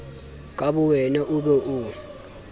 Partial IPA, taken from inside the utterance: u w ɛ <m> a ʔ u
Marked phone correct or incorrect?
incorrect